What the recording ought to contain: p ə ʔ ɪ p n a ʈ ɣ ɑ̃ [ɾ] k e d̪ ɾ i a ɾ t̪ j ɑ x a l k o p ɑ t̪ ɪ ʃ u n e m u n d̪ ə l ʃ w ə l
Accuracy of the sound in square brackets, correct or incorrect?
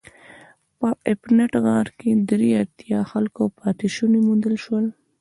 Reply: correct